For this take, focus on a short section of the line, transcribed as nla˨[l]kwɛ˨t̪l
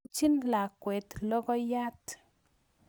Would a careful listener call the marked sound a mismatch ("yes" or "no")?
yes